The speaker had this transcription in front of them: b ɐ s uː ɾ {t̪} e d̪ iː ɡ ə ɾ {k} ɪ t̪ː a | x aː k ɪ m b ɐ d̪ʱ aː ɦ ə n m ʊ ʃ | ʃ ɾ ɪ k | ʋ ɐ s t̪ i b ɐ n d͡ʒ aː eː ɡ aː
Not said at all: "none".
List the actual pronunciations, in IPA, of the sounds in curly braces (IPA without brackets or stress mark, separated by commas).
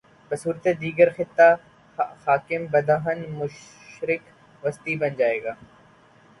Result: t̪, x